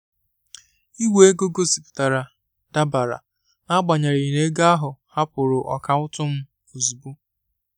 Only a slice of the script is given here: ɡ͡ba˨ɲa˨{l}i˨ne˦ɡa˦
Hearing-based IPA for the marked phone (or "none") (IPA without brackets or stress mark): ɾ